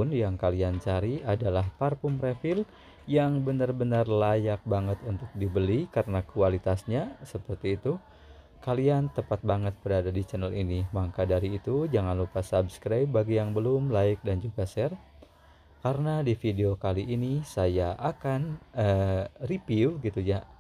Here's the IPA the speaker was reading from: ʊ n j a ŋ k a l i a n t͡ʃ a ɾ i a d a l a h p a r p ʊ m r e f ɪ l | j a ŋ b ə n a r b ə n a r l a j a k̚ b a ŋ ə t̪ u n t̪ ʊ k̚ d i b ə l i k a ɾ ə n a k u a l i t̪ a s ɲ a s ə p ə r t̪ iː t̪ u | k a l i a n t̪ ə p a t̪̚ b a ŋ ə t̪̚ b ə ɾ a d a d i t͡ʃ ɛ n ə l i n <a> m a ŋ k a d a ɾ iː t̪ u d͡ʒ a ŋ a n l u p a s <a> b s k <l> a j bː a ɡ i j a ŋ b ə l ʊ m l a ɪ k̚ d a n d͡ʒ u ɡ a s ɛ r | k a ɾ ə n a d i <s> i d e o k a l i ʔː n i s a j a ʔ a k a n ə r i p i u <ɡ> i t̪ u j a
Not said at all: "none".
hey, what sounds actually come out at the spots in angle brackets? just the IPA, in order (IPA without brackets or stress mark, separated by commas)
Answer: i, a, ɾ, f, ɡ